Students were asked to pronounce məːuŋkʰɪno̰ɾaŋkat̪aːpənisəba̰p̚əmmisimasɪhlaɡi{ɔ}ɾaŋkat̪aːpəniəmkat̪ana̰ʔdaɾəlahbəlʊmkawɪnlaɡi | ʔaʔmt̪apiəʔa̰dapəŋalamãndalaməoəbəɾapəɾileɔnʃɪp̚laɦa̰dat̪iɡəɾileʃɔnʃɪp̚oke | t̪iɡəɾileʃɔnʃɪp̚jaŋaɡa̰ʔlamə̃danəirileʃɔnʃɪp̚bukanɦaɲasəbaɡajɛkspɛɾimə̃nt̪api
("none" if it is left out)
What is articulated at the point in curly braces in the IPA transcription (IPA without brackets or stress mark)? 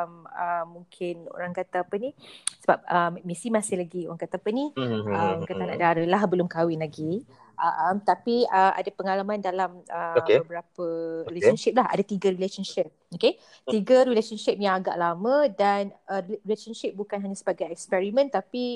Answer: o